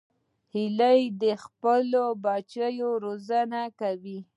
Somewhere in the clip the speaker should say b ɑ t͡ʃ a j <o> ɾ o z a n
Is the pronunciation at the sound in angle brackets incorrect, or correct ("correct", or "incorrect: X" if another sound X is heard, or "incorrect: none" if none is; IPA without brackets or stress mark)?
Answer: correct